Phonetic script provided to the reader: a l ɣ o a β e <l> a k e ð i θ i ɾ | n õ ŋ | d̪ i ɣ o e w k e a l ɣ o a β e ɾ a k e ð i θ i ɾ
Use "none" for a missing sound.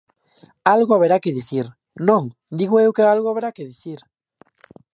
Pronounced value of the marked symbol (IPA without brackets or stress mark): ɾ